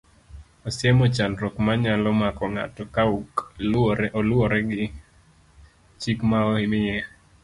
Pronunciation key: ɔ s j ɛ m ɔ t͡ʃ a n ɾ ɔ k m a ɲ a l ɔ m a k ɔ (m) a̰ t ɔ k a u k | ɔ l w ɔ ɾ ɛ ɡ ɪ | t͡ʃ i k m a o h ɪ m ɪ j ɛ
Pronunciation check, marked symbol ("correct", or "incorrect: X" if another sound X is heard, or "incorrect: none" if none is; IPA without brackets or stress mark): incorrect: ŋ